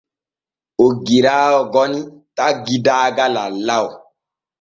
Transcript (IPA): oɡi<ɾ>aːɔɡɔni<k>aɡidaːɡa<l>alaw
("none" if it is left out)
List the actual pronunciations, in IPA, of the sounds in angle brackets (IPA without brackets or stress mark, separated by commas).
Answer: ɾ, t, l